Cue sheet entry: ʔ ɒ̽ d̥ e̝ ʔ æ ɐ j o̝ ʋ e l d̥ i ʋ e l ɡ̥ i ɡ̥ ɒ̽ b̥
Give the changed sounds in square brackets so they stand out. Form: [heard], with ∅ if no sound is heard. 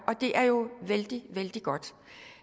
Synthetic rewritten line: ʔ ɒ̽ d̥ e̝ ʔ æ ɐ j o̝ ʋ e l d̥ i ʋ e l [d̥] i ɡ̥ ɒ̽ [d̥]